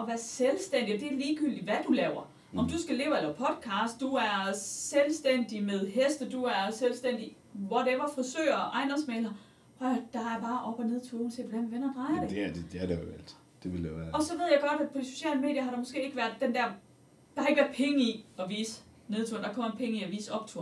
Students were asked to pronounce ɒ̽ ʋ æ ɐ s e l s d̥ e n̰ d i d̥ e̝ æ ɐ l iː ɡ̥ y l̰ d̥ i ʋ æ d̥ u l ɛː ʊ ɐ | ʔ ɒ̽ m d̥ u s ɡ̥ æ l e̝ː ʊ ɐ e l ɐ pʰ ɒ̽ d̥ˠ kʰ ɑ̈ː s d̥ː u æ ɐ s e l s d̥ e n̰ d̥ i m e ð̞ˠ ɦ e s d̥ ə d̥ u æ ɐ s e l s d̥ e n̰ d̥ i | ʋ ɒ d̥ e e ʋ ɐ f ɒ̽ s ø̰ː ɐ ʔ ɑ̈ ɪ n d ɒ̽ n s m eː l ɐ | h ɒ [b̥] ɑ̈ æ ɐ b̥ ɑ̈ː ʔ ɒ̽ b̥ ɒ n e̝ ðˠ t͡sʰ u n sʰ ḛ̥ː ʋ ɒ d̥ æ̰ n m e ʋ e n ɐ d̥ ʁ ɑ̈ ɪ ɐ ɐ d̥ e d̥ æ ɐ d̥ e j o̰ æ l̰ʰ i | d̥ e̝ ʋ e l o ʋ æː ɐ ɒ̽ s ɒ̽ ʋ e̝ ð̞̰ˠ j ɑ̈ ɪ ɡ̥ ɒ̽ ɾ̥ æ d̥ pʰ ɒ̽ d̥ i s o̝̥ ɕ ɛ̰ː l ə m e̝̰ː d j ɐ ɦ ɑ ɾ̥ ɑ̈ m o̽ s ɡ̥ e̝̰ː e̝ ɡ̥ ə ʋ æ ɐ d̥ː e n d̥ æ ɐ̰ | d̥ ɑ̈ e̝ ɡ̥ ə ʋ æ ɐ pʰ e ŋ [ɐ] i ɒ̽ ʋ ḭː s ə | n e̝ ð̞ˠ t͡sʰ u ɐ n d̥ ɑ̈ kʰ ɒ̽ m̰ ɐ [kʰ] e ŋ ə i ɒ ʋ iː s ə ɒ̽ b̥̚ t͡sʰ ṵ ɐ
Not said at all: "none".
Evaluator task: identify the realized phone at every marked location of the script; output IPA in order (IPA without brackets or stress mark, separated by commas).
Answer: d̥, ə, pʰ